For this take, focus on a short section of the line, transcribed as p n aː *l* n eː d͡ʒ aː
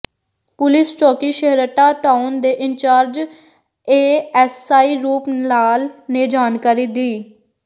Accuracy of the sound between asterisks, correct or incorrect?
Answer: correct